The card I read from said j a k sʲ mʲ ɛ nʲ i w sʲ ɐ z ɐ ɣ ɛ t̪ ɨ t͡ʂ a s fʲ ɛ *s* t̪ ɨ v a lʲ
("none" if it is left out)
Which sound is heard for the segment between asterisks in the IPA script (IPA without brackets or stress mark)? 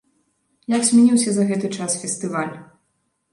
s